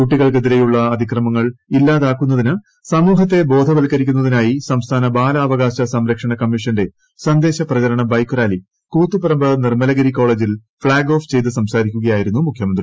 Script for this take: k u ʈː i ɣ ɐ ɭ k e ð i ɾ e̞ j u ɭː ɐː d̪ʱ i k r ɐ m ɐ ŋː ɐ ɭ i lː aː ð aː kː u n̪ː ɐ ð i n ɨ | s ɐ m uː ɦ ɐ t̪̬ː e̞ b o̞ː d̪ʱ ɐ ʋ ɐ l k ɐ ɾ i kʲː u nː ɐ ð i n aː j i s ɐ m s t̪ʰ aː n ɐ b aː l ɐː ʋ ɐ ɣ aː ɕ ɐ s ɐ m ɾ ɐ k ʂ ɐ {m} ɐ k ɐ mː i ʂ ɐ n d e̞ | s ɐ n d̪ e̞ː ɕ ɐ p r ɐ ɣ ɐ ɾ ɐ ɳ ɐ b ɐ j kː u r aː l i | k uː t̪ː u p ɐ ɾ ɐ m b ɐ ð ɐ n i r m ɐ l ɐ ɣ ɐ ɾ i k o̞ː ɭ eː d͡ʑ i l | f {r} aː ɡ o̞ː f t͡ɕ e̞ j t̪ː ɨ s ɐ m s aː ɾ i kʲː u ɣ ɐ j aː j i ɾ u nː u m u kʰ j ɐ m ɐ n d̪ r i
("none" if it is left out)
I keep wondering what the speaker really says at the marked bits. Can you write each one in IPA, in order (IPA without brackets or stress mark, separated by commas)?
ɳ, ɭ